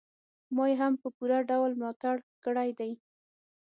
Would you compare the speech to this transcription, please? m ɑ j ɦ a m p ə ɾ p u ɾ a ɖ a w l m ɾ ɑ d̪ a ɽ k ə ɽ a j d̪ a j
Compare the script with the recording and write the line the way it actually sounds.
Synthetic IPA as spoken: m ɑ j ɦ a m p ə p u ɾ a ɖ a w l m l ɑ t̪ a ɽ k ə ɽ a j d̪ a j